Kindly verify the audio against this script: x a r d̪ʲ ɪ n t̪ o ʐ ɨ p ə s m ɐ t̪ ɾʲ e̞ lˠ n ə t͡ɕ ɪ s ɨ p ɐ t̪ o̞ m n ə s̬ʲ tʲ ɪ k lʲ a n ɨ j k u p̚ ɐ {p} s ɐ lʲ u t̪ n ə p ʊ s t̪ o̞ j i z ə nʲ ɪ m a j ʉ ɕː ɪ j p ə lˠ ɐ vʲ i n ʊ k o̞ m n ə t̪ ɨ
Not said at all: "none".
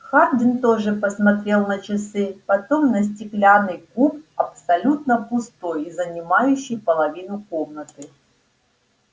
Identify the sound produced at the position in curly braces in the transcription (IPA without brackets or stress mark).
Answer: p